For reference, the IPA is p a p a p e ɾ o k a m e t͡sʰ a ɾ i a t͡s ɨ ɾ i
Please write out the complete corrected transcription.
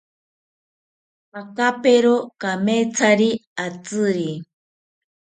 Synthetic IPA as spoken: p a k a p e ɾ o k a m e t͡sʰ a ɾ i a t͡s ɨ ɾ i